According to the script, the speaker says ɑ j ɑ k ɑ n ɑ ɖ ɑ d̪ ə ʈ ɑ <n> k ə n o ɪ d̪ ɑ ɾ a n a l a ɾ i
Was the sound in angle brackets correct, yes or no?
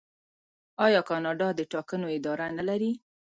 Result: no